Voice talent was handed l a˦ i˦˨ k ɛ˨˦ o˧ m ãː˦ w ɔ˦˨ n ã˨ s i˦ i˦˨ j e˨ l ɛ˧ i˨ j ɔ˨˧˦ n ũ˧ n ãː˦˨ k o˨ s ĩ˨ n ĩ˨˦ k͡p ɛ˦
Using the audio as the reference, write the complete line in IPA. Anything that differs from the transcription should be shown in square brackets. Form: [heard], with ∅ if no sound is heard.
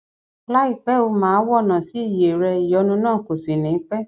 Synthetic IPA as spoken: l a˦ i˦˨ [k͡p] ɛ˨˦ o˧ m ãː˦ w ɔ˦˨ n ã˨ s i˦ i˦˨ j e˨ [ɾ] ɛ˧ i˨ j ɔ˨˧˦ n ũ˧ n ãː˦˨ k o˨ s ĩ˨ n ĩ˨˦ k͡p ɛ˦